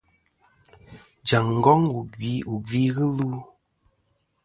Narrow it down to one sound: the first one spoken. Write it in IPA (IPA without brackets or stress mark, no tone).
d͡ʒ